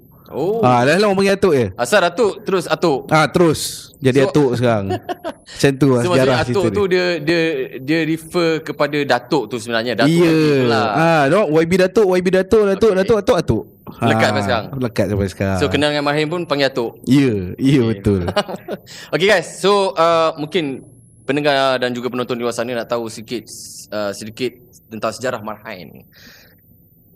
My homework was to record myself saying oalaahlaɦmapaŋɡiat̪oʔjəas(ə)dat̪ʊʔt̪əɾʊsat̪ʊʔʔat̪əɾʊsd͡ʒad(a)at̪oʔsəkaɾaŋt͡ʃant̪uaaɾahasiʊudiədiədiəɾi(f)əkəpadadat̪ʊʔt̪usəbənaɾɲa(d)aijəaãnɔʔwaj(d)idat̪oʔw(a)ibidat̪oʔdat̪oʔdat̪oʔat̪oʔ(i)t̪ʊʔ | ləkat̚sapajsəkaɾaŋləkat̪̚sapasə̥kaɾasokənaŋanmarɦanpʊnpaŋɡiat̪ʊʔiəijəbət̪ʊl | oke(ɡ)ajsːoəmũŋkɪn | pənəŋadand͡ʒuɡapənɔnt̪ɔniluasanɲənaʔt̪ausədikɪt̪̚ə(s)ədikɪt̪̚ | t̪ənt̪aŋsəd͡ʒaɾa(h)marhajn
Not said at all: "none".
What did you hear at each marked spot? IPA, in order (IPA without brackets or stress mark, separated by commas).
a, i, f, d, b, a, a, ɡ, s, h